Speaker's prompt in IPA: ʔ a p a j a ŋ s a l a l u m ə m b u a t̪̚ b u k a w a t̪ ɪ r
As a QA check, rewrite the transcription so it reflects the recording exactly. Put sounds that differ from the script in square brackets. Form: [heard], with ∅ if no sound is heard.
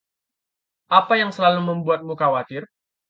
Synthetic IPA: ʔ a p a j a ŋ s [ə] l a l u m ə m b u a t̪̚ [m] u k a w a t̪ ɪ r

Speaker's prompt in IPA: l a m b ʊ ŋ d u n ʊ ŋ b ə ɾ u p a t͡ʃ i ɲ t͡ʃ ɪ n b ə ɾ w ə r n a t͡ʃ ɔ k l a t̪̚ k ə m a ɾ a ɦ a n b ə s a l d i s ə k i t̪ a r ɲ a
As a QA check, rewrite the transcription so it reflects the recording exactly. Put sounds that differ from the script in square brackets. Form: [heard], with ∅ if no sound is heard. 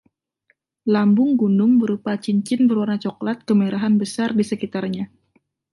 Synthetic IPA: l a m b ʊ ŋ [ɡ] u n ʊ ŋ b ə ɾ u p a t͡ʃ i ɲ t͡ʃ ɪ n b ə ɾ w [a] r n a t͡ʃ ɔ k l a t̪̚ k ə m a ɾ a ɦ a n b ə s a [r] d i s ə k i t̪ a r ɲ a

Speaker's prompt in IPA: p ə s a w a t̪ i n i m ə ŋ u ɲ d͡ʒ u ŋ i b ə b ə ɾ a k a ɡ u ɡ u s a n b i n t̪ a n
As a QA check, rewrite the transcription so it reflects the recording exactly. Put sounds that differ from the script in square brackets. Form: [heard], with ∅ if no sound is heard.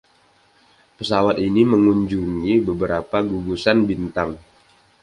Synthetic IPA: p ə s a w a t̪ i n i m ə ŋ u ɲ d͡ʒ u ŋ i b ə b ə ɾ a [p] a ɡ u ɡ u s a n b i n t̪ a [ŋ]

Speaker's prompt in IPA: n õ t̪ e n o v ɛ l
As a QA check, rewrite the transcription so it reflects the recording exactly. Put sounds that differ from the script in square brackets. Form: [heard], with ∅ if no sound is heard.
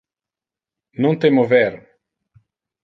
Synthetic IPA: n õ t̪ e [m] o v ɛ [ɾ]

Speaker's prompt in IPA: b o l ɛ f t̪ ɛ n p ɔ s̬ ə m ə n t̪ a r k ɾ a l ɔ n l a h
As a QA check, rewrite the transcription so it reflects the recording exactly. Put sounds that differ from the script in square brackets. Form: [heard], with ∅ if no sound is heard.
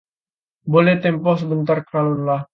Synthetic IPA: b o l ɛ [h] t̪ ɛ [m] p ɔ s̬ ə [b] ə n t̪ a r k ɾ a l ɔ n l a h

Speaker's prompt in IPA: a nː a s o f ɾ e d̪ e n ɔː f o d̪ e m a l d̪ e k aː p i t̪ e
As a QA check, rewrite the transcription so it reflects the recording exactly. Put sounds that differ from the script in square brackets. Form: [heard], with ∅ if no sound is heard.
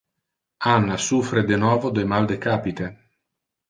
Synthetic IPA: a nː a s [u] f ɾ e d̪ e n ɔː [v] o d̪ e m a l d̪ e k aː p i t̪ e

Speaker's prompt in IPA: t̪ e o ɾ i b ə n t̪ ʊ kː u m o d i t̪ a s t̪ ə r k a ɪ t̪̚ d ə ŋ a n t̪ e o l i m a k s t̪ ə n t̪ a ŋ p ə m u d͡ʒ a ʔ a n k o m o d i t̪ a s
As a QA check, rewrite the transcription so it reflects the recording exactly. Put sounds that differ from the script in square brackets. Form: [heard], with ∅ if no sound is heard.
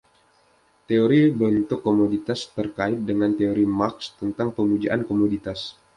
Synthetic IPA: t̪ e o ɾ i b ə n t̪ ʊ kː [o] m o d i t̪ a s t̪ ə r k a ɪ t̪̚ d ə ŋ a n t̪ e o [ɾ] i m a k s t̪ ə n t̪ a ŋ p ə m u d͡ʒ a ʔ a n k o m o d i t̪ a s

